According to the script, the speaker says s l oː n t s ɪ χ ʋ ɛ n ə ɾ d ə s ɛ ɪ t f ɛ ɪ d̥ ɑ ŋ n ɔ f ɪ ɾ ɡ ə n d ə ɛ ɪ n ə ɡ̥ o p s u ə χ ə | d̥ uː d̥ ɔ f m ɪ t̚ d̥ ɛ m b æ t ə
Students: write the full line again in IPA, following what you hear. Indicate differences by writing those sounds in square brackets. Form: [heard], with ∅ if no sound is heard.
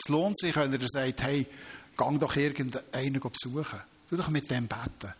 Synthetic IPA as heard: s l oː n t s ɪ χ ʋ ɛ n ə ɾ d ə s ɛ ɪ t [h] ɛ ɪ [ɡ̥] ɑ ŋ [d] ɔ [χ] ɪ ɾ ɡ ə n d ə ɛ ɪ n ə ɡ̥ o p s u ə χ ə | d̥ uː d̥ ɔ [χ] m ɪ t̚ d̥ ɛ m b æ t ə